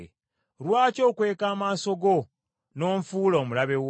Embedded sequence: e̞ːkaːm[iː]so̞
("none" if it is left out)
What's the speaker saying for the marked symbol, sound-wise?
aː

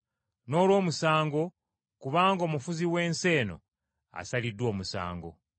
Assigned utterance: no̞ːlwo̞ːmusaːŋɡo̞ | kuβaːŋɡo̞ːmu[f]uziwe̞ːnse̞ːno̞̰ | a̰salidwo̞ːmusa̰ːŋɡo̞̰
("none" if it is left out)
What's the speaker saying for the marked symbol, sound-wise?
f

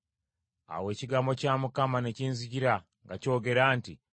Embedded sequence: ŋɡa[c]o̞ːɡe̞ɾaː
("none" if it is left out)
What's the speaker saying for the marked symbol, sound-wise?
c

